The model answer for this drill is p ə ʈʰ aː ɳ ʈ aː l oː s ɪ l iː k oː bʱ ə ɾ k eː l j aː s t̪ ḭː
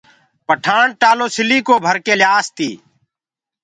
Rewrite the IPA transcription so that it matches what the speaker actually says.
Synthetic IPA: p ə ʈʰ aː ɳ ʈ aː l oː s ɪ l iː k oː bʱ ə ɾ k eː l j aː s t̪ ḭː

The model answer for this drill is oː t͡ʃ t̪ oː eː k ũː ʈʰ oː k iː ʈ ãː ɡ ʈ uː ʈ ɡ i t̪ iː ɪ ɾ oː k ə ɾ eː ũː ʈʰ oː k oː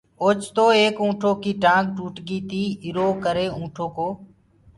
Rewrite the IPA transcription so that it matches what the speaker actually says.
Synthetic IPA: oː t͡ʃ t̪ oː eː k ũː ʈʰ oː k iː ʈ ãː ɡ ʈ uː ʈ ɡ iː t̪ iː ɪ ɾ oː k ə ɾ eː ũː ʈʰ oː k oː

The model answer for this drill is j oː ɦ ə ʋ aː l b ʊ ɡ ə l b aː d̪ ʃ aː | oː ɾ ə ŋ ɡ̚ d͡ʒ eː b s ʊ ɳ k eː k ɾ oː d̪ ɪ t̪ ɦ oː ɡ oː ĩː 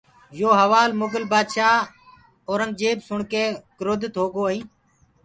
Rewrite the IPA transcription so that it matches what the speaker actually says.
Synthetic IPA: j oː ɦ ə ʋ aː l m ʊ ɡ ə l b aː d̪ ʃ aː | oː ɾ ə ŋ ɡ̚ d͡ʒ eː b s ʊ ɳ k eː k ɾ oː d̪ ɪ t̪ ɦ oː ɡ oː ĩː

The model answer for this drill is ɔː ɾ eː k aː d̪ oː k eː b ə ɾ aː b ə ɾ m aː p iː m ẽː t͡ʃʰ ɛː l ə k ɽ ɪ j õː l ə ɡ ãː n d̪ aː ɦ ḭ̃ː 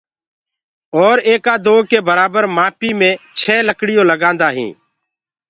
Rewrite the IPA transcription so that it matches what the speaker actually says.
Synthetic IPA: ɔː ɾ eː k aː d̪ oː k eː b ə ɾ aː b ə ɾ m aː p iː m ẽː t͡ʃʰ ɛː l ə k ɽ ɪ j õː l ə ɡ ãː n d̪ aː ɦ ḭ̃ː

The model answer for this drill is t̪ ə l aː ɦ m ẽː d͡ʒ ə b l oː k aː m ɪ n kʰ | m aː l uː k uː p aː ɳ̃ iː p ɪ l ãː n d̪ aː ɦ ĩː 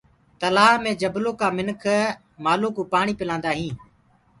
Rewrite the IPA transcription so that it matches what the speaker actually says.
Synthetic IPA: t̪ ə l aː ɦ m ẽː d͡ʒ ə b l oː k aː m ɪ n kʰ | m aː l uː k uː p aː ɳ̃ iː p ɪ l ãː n d̪ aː ɦ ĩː

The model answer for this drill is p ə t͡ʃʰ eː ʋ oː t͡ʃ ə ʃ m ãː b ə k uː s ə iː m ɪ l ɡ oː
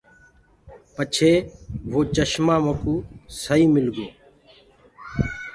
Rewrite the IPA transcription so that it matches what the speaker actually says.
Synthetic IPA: p ə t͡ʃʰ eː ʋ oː t͡ʃ ə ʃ m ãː m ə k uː s ə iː m ɪ l ɡ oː

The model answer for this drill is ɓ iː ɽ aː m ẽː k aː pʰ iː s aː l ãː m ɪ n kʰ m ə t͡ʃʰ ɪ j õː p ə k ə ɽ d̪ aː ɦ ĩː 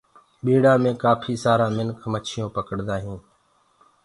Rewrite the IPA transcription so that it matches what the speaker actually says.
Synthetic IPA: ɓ iː ɽ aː m ẽː k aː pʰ iː s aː ɾ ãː m ɪ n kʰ m ə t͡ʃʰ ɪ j õː p ə k ə ɽ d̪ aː ɦ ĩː

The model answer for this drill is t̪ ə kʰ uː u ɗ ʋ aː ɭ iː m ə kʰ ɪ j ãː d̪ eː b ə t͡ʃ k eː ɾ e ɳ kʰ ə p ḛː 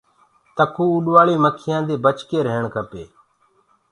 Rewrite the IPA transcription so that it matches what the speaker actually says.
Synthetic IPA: t̪ ə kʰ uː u ɗ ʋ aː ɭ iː m ə kʰ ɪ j ãː d̪ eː b ə t͡ʃ k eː ɾ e ɳ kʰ ə p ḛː

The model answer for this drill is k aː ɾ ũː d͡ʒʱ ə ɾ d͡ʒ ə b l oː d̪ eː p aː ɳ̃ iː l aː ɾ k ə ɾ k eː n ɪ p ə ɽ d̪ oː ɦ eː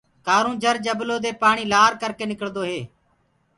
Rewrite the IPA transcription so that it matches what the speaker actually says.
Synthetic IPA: k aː ɾ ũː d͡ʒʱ ə ɾ d͡ʒ ə b l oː d̪ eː p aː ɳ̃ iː l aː ɾ k ə ɾ k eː n ɪ k ə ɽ d̪ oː ɦ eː

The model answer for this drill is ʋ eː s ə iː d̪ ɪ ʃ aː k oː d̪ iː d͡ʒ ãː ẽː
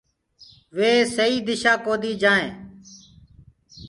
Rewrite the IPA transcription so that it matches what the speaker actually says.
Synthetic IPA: ʋ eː s ə iː d̪ ɪ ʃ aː k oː d̪ iː d͡ʒ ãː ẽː

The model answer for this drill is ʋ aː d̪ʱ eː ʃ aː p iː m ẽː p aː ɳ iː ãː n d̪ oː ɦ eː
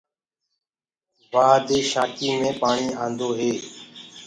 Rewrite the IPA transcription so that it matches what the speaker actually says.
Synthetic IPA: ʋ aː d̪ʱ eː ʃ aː k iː m ẽː p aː ɳ iː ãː n d̪ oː ɦ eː

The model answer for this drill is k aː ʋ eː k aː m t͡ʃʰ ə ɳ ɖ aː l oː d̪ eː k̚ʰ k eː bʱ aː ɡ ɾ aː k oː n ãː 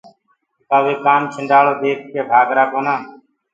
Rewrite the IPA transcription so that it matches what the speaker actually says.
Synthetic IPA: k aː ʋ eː k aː m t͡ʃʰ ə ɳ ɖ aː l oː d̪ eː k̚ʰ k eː bʱ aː ɡ ɾ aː k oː n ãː

